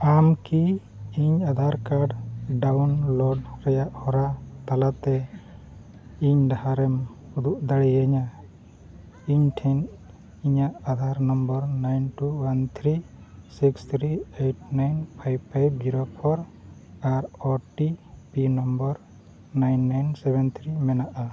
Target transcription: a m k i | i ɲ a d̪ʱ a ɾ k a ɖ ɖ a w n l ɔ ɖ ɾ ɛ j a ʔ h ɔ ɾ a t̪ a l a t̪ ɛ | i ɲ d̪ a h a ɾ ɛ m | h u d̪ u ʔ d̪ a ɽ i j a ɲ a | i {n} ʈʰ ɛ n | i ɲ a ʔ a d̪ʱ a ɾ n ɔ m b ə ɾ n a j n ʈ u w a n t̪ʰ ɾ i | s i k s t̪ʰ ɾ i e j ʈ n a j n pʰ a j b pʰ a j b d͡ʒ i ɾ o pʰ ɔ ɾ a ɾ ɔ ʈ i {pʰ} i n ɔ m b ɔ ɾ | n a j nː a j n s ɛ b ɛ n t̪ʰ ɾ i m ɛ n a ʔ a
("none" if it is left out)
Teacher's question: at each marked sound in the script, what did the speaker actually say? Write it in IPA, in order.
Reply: ɲ, p

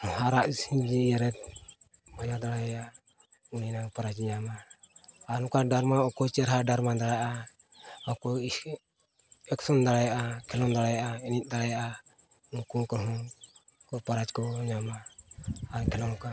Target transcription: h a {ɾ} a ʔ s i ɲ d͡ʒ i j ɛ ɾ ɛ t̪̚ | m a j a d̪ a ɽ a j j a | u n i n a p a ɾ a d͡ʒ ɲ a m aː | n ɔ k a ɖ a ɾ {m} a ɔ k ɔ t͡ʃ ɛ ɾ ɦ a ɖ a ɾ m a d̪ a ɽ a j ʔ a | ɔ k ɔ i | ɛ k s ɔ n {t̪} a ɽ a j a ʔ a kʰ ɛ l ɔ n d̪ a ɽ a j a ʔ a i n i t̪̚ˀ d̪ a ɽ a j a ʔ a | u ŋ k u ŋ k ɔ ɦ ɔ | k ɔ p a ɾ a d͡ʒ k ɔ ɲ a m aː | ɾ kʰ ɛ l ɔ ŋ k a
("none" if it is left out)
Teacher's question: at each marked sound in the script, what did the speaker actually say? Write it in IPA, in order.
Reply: ɾ, m, d̪

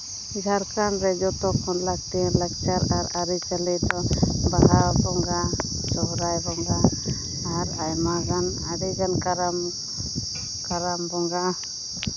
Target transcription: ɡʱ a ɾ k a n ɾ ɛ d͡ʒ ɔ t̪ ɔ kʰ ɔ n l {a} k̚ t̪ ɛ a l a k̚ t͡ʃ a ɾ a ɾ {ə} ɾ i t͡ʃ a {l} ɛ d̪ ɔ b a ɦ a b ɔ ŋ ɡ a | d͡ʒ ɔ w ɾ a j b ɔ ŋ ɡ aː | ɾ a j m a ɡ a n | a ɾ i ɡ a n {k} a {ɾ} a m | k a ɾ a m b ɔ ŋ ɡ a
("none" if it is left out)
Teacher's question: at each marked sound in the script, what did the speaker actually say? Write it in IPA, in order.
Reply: a, a, l, k, ɾ

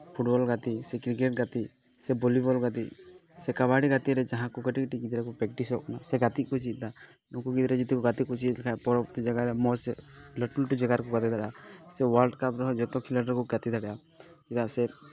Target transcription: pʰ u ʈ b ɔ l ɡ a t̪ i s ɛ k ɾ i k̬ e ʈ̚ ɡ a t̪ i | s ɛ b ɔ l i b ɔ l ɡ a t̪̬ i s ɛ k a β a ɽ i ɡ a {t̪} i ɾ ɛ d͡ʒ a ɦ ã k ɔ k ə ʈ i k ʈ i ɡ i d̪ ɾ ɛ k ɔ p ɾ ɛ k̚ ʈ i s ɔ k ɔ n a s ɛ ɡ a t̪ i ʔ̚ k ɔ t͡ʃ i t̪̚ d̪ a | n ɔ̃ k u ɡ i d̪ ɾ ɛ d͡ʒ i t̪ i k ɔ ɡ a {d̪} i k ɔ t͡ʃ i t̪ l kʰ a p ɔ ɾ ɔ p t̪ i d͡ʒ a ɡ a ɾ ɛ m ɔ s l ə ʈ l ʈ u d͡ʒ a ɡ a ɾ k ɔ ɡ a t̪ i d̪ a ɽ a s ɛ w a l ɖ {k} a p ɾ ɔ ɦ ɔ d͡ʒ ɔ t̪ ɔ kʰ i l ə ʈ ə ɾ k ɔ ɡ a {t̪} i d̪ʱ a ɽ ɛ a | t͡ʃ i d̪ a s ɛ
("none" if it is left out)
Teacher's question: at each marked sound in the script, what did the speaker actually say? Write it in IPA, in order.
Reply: t̪, t̪, k, t̪

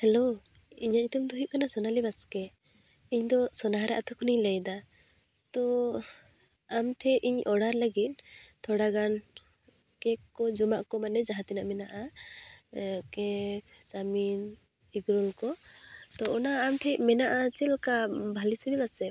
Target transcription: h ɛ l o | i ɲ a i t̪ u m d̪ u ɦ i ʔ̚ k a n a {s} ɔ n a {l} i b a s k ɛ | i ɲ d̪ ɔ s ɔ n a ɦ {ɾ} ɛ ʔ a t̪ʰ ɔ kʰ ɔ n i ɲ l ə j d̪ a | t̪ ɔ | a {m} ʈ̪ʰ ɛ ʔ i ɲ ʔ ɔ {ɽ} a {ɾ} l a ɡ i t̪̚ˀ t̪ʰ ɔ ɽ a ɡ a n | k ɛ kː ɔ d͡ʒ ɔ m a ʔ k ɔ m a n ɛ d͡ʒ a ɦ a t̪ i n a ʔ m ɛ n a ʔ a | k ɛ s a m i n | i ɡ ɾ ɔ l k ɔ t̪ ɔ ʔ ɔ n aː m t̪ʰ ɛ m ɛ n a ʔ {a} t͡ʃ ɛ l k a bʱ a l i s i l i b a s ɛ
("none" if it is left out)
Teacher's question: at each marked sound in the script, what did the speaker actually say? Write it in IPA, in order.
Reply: s, l, ɾ, m, ɽ, ɾ, a

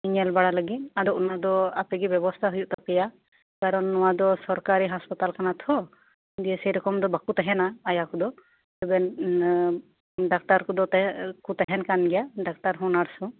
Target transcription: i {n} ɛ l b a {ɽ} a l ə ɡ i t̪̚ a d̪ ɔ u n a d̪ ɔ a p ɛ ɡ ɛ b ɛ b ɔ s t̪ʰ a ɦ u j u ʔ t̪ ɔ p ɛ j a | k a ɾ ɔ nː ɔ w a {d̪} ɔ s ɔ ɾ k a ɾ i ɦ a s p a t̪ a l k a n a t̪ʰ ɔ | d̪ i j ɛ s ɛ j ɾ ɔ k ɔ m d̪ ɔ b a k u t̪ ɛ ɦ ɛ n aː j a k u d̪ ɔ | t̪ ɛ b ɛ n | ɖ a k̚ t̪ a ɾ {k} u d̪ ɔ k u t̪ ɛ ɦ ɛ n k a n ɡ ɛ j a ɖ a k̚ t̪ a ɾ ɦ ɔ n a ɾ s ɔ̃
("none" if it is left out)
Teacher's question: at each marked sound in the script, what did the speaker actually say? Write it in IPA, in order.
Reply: ɲ, ɽ, d̪, k

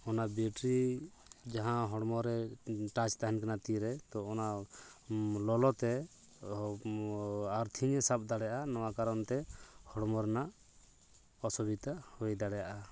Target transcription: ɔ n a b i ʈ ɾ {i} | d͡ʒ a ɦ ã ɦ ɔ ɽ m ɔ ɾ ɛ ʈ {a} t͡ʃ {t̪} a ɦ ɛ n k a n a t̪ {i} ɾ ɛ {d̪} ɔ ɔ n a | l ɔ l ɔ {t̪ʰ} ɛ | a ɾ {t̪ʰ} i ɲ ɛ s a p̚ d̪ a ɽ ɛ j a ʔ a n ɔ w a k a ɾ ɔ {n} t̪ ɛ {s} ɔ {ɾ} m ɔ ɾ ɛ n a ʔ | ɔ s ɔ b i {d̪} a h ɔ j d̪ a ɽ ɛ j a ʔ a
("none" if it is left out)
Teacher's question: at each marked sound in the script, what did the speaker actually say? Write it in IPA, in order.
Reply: i, a, t̪, i, t̪, t̪, t̪ʰ, n, h, ɽ, t̪

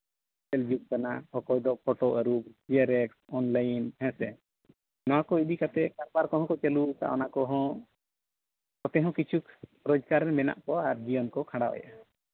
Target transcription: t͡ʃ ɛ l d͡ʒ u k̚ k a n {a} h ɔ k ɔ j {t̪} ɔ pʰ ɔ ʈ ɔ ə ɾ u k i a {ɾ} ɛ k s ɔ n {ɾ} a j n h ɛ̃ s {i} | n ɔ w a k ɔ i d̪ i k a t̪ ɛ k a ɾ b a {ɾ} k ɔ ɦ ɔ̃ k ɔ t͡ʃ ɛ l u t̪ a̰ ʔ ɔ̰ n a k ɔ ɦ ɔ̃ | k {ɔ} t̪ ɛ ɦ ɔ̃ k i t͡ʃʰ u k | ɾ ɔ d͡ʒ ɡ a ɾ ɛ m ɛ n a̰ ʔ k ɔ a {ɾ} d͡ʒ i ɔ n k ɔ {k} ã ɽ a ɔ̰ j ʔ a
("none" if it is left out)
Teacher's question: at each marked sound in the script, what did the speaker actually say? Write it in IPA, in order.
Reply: a, d̪, ɾ, l, ɛ, ɾ, ɔ, ɾ, kʰ

